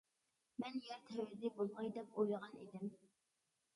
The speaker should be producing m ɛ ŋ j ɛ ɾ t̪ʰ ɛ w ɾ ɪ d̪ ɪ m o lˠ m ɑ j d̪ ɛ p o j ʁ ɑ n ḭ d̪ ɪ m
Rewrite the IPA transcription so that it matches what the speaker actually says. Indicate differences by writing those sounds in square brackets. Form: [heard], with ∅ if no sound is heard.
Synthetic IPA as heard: m ɛ [n] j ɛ ɾ t̪ʰ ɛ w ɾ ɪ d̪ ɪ [b] o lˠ m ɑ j d̪ ɛ p o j ʁ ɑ n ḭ d̪ ɪ m